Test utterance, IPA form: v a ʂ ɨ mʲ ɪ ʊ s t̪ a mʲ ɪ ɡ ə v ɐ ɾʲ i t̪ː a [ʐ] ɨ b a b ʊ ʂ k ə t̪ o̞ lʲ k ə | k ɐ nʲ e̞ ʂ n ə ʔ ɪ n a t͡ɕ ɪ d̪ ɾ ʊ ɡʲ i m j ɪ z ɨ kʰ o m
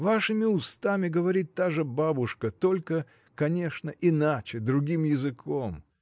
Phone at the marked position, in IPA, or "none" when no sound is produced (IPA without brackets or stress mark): ʐ